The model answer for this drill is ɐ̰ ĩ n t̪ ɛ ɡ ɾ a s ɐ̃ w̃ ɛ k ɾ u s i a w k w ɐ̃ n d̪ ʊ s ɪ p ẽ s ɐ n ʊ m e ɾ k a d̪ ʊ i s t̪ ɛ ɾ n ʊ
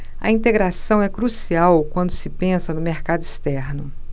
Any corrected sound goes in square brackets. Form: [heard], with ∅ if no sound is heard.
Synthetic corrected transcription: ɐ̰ ĩ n t̪ [e] ɡ ɾ a s ɐ̃ w̃ ɛ k ɾ u s i a w k w ɐ̃ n d̪ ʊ s ɪ p ẽ s ɐ n ʊ m e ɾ k a d̪ ʊ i s t̪ ɛ ɾ n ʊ